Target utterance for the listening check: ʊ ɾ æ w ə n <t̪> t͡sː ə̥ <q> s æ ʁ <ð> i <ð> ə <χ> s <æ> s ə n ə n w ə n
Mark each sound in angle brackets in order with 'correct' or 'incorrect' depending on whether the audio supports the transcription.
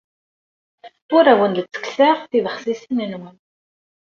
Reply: incorrect: d̪, incorrect: k, incorrect: θ, correct, correct, incorrect: i

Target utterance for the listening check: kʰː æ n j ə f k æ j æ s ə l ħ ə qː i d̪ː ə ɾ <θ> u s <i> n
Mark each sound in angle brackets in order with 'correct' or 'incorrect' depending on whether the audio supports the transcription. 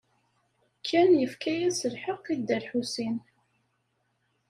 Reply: incorrect: ħ, correct

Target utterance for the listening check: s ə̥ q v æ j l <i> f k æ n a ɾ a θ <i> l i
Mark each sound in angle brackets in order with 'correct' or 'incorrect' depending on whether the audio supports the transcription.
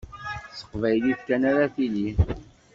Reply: correct, correct

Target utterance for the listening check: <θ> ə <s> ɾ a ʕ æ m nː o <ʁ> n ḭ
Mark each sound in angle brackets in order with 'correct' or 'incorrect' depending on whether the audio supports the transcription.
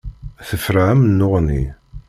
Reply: correct, incorrect: f, correct

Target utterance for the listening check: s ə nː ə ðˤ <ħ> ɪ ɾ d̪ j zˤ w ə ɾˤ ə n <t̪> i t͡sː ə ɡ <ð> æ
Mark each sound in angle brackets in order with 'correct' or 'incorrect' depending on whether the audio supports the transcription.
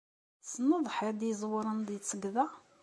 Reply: correct, incorrect: d̪, correct

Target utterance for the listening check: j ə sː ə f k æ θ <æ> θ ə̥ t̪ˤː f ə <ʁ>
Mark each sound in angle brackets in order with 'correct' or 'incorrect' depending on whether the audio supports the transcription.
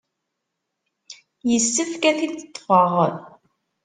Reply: incorrect: i, correct

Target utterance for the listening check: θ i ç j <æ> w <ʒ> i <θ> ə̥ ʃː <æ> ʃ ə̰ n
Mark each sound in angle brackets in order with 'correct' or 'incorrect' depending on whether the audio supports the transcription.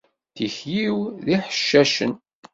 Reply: incorrect: i, incorrect: ð, incorrect: ħ, correct

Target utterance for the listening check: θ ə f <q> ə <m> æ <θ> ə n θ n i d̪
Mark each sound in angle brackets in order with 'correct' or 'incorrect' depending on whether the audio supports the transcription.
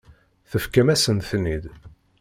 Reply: incorrect: k, correct, incorrect: s

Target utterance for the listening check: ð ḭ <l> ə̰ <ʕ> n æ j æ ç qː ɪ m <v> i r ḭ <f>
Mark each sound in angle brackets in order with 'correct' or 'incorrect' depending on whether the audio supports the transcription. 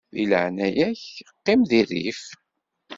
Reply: correct, correct, incorrect: ð, correct

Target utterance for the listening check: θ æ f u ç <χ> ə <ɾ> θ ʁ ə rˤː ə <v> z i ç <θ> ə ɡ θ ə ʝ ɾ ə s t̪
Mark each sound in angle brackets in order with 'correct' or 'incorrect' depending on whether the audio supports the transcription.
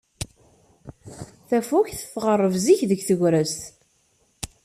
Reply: incorrect: θ, incorrect: none, correct, incorrect: ð

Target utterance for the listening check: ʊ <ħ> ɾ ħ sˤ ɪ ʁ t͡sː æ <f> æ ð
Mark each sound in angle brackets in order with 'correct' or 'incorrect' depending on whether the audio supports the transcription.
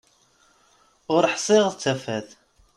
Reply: incorrect: none, correct

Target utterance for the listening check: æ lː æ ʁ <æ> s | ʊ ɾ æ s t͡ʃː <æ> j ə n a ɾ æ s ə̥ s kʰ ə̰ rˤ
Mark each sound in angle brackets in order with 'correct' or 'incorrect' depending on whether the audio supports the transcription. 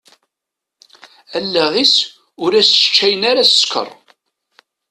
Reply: incorrect: i, correct

